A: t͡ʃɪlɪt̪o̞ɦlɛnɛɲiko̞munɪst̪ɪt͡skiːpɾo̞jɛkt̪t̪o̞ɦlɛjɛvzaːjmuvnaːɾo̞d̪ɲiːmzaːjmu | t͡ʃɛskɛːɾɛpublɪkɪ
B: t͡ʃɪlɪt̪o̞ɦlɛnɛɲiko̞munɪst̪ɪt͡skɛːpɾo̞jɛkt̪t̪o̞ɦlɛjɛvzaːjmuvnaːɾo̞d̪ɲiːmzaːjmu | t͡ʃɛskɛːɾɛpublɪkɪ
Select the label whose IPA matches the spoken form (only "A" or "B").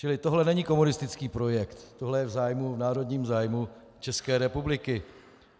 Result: A